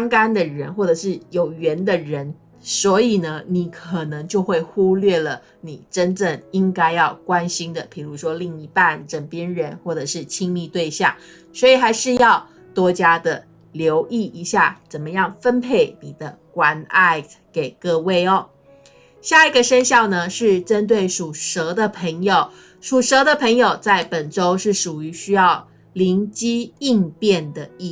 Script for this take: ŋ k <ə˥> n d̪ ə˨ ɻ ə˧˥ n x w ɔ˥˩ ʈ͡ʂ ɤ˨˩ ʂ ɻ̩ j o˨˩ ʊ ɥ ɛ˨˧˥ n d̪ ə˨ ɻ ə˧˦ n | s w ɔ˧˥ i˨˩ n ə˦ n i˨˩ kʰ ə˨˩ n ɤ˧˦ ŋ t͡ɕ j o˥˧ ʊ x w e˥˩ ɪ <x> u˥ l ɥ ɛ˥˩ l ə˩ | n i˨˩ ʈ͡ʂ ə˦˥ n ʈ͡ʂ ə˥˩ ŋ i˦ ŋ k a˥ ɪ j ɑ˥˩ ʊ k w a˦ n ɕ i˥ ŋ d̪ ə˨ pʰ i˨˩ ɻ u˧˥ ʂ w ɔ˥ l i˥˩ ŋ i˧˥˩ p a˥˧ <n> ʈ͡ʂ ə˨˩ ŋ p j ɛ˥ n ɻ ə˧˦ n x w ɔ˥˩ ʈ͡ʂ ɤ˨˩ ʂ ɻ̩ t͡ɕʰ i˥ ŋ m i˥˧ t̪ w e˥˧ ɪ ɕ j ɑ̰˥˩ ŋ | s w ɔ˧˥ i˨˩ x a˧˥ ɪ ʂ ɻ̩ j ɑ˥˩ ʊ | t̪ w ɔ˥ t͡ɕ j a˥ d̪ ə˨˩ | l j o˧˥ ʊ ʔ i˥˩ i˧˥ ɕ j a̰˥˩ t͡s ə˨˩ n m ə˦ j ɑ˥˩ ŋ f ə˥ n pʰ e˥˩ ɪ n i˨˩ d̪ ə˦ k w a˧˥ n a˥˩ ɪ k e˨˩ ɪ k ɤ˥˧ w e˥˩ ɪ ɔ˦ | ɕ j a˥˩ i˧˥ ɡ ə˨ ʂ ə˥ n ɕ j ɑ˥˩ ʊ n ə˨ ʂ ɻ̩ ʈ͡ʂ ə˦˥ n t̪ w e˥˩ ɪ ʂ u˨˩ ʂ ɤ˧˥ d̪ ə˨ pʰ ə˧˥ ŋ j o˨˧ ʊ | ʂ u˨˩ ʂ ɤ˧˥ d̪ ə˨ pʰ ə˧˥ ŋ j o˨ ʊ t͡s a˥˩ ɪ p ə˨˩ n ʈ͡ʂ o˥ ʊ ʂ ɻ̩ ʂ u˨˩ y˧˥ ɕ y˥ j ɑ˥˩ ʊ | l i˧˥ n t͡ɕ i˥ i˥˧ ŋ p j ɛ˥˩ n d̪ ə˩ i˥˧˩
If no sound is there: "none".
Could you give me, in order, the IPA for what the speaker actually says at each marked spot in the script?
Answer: a˥, x, n

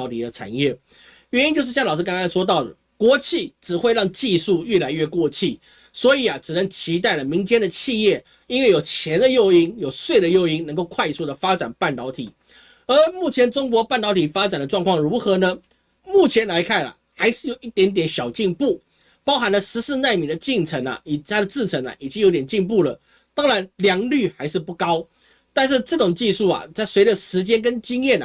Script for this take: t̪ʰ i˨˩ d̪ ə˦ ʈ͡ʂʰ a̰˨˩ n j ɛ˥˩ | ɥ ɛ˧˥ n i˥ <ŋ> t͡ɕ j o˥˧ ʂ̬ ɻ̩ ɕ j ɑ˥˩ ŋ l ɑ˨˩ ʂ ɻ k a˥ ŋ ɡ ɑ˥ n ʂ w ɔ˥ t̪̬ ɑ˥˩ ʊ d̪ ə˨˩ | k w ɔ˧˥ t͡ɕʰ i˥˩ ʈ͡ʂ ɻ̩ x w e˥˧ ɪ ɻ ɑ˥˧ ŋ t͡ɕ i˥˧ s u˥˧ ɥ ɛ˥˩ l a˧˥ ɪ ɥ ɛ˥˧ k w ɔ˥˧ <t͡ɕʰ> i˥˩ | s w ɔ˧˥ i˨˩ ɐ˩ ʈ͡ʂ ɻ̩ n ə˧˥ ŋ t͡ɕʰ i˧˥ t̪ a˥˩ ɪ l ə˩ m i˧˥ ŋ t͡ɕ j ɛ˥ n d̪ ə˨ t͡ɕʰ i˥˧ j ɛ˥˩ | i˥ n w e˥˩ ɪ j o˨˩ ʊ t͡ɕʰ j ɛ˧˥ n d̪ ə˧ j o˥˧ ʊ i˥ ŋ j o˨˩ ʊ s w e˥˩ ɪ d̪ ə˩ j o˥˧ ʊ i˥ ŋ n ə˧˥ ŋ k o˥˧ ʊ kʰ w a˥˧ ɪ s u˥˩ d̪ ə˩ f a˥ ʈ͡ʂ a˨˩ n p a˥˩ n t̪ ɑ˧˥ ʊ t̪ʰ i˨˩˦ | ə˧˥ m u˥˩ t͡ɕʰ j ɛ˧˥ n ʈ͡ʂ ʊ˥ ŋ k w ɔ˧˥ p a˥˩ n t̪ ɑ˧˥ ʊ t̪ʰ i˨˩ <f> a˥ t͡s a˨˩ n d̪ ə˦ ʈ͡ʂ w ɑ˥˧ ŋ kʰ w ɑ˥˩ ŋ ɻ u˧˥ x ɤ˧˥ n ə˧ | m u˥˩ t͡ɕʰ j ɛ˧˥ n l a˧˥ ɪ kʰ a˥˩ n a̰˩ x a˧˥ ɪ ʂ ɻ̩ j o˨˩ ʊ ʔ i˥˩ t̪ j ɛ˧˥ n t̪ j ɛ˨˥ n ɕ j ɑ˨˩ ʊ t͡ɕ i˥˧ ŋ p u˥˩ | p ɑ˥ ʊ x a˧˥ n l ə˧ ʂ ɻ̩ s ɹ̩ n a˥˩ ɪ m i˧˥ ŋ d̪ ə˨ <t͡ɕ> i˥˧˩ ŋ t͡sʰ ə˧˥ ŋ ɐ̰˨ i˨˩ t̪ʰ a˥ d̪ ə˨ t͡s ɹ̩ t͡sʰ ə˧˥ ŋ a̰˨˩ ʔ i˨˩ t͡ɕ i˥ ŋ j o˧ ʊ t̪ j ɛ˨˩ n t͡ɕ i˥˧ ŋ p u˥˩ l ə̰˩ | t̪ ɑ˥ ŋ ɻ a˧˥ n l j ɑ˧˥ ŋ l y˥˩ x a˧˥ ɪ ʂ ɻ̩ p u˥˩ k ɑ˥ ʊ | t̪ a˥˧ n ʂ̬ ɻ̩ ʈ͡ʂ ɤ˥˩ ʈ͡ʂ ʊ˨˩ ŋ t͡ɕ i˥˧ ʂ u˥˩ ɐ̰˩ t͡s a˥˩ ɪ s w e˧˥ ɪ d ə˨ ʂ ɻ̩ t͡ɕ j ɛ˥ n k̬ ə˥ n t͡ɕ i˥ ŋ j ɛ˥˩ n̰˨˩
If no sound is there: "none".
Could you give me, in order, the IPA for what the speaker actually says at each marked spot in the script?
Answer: n, t͡ɕʰ, f, t͡ɕ

